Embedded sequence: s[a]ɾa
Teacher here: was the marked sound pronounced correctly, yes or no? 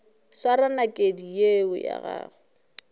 yes